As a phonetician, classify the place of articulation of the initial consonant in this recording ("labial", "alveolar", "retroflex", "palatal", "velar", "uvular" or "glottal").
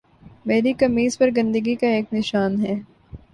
labial